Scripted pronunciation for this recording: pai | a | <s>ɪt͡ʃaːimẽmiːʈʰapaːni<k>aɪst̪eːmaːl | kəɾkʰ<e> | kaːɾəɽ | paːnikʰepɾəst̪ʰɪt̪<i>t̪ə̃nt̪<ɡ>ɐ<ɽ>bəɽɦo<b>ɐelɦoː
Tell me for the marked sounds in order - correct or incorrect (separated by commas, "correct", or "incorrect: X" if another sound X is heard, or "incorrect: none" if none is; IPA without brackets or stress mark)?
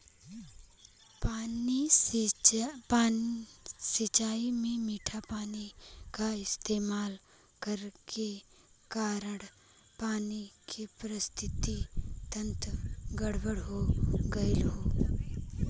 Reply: correct, correct, correct, correct, correct, correct, incorrect: ɡ